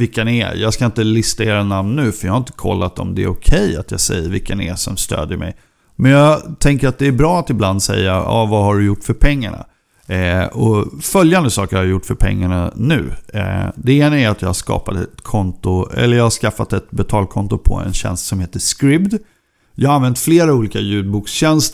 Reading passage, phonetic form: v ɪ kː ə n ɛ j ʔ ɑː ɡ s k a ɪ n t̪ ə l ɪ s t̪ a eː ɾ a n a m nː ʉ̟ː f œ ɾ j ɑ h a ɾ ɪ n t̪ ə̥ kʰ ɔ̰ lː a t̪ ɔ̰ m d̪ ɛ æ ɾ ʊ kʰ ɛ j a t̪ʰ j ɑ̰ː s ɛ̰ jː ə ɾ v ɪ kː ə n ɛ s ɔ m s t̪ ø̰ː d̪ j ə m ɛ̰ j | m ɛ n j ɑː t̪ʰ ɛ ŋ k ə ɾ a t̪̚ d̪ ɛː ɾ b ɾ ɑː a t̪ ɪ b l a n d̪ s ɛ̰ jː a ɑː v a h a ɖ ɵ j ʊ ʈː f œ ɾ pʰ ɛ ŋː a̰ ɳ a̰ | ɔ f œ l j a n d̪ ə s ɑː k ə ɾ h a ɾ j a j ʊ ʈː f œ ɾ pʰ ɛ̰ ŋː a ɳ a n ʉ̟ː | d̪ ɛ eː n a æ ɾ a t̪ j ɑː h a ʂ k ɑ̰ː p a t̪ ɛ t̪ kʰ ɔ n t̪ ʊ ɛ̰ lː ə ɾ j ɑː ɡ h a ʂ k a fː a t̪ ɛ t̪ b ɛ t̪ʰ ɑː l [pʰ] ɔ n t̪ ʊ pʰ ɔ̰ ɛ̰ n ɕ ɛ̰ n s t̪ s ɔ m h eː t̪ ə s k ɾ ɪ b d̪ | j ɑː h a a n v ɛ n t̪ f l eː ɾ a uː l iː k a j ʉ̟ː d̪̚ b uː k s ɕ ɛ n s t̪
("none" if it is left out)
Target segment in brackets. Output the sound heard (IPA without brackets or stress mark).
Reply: kʰ